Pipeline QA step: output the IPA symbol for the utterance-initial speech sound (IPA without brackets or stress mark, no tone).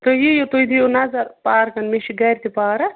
t̪